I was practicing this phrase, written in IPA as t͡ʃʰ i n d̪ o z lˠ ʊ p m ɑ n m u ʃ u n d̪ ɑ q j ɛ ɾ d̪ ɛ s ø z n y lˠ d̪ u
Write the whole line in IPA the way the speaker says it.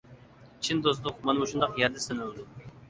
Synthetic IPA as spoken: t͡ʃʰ i n d̪ o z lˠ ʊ q m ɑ n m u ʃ u n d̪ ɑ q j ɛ ɾ d̪ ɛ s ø n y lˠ d̪ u

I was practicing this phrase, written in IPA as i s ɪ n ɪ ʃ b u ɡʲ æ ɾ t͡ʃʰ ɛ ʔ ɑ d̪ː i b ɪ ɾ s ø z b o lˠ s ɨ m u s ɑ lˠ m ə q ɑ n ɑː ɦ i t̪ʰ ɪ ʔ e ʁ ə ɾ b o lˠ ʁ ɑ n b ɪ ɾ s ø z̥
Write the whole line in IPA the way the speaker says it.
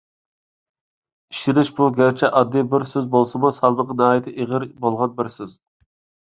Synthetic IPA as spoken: i ʃ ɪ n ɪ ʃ b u ɡʲ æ ɾ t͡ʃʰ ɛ ʔ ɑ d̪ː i b ɪ ɾ s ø z b o lˠ s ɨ m u s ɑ lˠ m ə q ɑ n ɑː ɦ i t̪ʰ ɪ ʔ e ʁ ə ɾ b o lˠ ʁ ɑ n b ɪ ɾ s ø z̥

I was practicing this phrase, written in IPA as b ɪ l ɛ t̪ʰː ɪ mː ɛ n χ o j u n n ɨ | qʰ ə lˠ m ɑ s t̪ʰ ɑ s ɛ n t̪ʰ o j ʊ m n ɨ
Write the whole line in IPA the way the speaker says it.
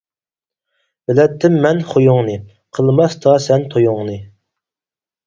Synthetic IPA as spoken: b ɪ l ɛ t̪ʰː ɪ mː ɛ n χ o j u ŋ n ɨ | qʰ ə lˠ m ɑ s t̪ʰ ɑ s ɛ n t̪ʰ o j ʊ ŋ n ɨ

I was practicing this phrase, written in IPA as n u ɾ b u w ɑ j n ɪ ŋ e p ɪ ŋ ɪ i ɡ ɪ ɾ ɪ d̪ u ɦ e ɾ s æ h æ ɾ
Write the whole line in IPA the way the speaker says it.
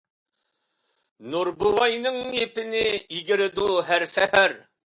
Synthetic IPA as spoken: n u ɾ b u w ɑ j n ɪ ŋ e p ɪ n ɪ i ɡ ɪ ɾ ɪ d̪ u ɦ æ ɾ s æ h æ ɾ

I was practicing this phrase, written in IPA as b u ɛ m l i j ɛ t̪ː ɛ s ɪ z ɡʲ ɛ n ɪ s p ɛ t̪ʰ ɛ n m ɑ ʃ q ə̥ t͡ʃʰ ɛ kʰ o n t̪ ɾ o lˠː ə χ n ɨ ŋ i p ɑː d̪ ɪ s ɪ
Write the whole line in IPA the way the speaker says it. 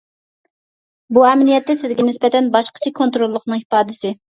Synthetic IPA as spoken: b u ɛ m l i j ɛ t̪ː ɛ s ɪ z ɡʲ ɛ n ɪ s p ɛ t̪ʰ ɛ n b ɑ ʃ q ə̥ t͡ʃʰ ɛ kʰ o n t̪ ɾ o lˠː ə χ n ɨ ŋ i p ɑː d̪ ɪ s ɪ

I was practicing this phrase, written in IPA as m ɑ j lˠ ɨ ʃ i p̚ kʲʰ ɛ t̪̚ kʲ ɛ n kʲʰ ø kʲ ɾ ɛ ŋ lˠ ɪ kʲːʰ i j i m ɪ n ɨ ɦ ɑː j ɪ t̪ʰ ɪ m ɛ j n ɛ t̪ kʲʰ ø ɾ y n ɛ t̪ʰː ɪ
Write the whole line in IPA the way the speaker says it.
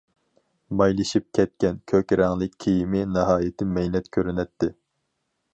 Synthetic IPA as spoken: m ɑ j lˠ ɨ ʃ i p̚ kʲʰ ɛ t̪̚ kʲ ɛ n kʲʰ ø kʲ ɾ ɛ ŋ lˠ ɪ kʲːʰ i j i m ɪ n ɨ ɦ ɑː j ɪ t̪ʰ ɪ m ɛ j n ɛ t̪ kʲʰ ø ɾ y n ɛ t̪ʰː ɪ

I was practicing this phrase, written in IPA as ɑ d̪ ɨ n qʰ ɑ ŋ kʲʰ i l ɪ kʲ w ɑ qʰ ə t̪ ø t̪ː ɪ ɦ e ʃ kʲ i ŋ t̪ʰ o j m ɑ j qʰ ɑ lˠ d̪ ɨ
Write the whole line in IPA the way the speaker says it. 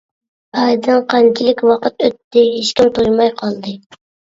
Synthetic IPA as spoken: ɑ d̪ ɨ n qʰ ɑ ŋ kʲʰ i l ɪ kʲ w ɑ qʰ ə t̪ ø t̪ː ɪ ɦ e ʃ kʲ i m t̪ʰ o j m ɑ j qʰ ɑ lˠ d̪ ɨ

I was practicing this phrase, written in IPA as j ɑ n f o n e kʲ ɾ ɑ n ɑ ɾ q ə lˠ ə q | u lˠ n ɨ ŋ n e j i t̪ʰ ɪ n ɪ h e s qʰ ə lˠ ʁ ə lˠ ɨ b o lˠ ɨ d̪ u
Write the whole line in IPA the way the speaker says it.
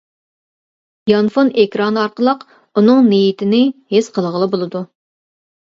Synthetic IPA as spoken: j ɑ n f o n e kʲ ɾ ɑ n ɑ ɾ q ə lˠ ə q | u n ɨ ŋ n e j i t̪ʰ ɪ n ɪ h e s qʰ ə lˠ ʁ ə lˠ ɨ b o lˠ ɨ d̪ u

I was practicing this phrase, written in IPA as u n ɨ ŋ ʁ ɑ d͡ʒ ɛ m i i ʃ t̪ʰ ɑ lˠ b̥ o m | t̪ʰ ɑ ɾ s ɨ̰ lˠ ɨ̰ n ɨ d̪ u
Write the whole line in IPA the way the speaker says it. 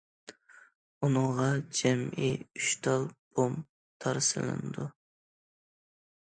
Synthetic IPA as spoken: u n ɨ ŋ ʁ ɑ d͡ʒ ɛ m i y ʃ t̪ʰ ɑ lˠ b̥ o m | t̪ʰ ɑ ɾ s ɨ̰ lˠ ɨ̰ n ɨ d̪ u

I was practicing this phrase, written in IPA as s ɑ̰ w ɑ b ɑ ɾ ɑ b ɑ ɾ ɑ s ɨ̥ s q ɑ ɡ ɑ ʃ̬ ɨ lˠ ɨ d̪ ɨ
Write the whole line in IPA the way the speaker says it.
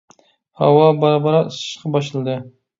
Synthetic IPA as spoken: h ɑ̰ w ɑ b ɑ ɾ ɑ b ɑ ɾ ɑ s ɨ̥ ʃ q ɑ b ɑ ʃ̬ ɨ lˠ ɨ d̪ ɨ

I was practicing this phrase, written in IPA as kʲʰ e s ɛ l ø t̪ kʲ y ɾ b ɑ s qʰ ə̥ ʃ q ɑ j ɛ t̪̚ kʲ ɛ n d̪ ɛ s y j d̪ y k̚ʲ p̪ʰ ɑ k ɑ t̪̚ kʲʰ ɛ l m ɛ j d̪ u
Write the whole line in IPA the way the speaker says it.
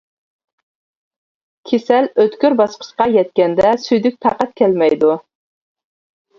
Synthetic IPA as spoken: kʲʰ e s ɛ l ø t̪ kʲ y ɾ b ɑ s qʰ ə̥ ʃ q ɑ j ɛ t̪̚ kʲ ɛ n d̪ ɛ s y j d̪ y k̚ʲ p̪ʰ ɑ q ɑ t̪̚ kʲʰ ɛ l m ɛ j d̪ u

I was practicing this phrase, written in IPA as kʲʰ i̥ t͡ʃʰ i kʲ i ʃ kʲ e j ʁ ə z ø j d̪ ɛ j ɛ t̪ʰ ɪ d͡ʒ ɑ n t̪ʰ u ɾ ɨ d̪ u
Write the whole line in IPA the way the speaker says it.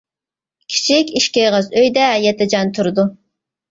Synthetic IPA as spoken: kʲʰ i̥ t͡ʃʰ i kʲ i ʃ kʲ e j ʁ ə z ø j d̪ ɛ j ɛ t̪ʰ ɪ d͡ʒ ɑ n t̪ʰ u ɾ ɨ d̪ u

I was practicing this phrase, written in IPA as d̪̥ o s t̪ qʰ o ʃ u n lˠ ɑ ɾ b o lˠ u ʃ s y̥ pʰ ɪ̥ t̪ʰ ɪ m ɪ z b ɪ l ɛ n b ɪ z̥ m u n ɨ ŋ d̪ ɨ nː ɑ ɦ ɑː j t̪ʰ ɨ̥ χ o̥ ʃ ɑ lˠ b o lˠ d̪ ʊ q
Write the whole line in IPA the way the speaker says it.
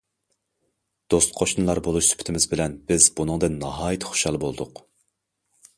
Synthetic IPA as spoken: d̪̥ o s t̪ qʰ o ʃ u n lˠ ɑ ɾ b o lˠ u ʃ s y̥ pʰ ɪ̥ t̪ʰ ɪ m ɪ z b ɪ l ɛ n b ɪ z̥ b u n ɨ ŋ d̪ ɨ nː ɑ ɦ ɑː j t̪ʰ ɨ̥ χ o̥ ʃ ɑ lˠ b o lˠ d̪ ʊ q

